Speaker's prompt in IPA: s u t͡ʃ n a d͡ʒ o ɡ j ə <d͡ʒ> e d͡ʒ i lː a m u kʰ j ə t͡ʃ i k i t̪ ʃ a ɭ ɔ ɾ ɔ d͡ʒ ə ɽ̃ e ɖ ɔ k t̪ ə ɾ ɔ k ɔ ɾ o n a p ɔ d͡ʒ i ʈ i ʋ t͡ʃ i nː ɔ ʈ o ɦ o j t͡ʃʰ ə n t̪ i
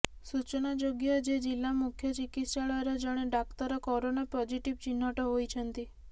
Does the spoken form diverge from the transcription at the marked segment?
no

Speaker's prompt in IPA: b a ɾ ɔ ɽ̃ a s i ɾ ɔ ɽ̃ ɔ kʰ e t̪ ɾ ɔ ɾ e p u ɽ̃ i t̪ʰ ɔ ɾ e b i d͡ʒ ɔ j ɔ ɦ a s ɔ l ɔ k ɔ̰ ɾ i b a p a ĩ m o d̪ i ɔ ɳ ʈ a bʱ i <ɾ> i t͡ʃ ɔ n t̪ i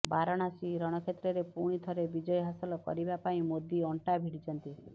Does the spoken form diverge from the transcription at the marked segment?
yes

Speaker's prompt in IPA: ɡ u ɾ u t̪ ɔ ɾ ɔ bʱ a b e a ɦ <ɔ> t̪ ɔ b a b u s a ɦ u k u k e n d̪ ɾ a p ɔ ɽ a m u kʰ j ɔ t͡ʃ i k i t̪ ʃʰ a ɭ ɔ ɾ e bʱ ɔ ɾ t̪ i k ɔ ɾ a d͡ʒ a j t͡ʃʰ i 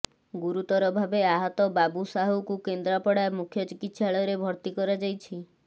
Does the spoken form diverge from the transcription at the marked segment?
no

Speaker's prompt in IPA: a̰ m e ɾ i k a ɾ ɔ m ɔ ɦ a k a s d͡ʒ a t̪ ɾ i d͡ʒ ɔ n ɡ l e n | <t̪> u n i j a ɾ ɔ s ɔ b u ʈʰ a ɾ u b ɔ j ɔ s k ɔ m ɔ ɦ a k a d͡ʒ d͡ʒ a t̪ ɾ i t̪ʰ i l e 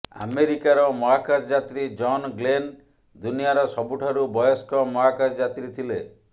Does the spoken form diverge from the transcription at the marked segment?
yes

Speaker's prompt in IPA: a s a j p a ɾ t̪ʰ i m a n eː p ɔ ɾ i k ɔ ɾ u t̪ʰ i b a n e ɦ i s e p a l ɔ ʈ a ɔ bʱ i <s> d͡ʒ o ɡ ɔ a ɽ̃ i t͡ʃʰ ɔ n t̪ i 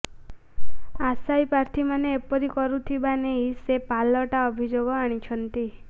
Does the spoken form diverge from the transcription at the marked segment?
yes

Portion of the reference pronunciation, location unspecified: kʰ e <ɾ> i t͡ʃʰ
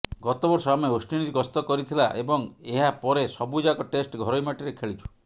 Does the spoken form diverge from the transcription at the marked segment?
yes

